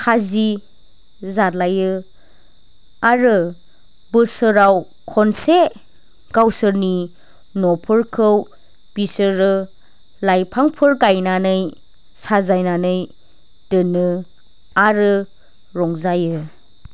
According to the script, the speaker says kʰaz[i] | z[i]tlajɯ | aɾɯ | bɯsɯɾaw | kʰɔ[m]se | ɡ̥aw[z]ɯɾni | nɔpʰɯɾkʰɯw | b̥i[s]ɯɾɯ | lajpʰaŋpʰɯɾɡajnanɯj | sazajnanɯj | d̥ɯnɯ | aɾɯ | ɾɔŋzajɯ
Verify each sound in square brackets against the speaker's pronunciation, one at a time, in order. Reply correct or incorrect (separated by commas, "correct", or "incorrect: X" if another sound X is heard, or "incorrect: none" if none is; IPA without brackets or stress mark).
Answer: correct, incorrect: a, incorrect: n, incorrect: s, correct